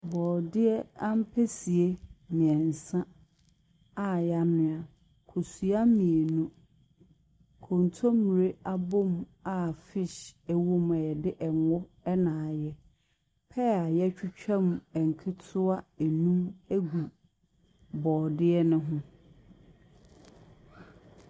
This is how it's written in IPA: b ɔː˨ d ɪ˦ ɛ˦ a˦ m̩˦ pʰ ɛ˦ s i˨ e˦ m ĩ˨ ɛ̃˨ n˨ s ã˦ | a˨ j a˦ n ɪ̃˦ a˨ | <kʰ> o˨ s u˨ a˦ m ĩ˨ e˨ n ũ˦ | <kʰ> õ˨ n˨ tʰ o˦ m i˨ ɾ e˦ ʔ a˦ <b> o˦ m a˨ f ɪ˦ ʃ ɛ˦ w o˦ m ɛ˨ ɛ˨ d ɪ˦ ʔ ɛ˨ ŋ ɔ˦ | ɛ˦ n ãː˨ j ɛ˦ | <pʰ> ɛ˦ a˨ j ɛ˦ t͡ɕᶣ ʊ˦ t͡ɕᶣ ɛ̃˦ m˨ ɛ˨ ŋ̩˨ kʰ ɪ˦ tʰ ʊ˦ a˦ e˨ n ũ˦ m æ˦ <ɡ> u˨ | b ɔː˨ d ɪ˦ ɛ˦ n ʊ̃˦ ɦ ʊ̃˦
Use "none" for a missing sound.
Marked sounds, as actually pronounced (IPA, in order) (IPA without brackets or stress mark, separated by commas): kʰ, kʰ, b, pʰ, ɡ